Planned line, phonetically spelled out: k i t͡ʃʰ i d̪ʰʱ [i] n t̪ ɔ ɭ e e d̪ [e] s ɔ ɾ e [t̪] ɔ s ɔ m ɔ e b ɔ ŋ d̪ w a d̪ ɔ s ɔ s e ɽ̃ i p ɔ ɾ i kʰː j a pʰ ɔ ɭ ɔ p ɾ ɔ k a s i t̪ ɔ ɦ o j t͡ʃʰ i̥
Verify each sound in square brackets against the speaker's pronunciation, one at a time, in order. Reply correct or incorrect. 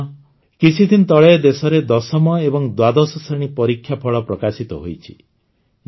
correct, correct, incorrect: d̪

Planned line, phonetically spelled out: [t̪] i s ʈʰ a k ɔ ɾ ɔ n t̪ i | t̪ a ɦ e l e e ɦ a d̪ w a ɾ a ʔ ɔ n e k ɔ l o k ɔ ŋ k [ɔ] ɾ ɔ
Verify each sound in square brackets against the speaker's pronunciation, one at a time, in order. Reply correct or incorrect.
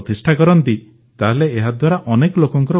correct, correct

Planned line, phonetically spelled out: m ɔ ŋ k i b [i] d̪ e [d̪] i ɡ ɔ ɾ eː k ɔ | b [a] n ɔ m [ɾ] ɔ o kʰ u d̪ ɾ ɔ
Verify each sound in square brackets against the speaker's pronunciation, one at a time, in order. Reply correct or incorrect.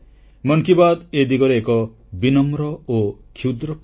incorrect: a, correct, incorrect: i, correct

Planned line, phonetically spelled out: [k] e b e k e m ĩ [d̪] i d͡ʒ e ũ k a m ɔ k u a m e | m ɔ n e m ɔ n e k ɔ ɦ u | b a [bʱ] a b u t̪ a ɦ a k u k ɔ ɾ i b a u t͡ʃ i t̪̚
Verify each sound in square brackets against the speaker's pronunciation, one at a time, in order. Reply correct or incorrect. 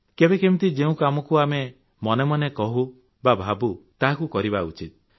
correct, incorrect: t̪, correct

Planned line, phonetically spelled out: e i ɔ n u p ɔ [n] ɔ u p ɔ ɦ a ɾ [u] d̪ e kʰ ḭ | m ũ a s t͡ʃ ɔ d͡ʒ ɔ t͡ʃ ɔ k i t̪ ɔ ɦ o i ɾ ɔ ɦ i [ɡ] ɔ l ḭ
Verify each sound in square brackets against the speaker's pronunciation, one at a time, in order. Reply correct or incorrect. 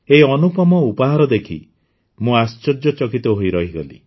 incorrect: m, incorrect: ɔ, correct

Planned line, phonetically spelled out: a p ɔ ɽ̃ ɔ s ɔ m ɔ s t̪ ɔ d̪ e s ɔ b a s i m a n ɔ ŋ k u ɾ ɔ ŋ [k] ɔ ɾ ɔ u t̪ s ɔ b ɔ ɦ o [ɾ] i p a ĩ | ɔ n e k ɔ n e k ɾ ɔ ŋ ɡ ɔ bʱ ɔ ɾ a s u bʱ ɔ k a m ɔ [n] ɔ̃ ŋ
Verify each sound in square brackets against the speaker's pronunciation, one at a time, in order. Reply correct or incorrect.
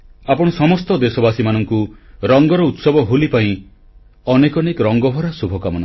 incorrect: ɡ, incorrect: l, correct

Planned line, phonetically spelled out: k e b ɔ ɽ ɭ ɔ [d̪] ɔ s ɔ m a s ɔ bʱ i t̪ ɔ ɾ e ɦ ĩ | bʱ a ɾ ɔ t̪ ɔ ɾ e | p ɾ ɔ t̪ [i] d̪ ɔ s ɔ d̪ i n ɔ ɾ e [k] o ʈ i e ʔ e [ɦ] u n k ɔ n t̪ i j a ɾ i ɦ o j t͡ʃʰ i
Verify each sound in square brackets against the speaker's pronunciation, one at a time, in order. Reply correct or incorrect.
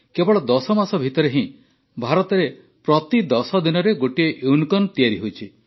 correct, correct, incorrect: ɡ, incorrect: none

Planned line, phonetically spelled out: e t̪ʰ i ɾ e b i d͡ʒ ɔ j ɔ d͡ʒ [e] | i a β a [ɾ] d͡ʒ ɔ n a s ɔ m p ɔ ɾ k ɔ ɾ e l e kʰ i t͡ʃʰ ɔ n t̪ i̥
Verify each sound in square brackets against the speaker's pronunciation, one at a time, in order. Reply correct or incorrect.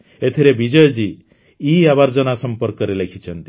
incorrect: i, correct

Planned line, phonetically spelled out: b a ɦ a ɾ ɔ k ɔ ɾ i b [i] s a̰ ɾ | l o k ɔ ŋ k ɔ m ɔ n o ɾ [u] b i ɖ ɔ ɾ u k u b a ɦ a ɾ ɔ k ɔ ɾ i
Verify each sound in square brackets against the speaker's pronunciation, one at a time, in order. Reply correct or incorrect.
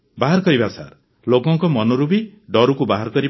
incorrect: a, correct

